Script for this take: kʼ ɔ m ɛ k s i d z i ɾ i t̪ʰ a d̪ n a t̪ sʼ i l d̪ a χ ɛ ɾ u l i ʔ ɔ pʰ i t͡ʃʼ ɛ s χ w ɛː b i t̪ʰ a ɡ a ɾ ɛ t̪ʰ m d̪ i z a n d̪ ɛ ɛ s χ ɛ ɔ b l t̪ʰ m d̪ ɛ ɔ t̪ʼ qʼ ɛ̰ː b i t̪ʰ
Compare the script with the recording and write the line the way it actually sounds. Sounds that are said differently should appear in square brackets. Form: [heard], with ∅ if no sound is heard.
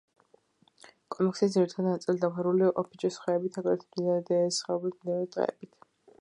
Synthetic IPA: kʼ ɔ m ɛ k s i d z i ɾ i t̪ʰ a d̪ n a t̪ sʼ i l d̪ a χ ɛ ɾ u l i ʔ ɔ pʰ i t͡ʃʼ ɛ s χ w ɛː b i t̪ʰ a ɡ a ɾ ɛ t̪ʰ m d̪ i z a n d̪ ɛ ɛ s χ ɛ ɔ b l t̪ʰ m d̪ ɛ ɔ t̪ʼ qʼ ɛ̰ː b i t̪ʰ